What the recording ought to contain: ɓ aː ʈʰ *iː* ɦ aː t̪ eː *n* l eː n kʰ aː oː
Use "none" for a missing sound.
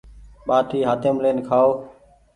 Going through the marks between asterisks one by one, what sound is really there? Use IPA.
iː, m

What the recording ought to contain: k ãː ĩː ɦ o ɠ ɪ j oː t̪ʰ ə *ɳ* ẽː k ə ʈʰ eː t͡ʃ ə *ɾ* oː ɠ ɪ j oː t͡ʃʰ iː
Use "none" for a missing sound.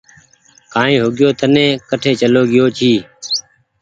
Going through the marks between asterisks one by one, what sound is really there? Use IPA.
n, l

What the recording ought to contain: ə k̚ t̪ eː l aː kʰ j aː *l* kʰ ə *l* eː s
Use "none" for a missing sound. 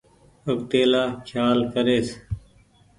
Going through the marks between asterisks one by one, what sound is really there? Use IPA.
l, ɾ

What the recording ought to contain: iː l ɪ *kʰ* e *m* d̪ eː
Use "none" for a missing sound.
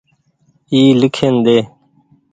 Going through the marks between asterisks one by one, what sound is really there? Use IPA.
kʰ, n

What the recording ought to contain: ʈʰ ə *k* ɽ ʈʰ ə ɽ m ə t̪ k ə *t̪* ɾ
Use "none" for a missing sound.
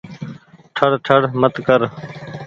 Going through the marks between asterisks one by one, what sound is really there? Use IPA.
none, none

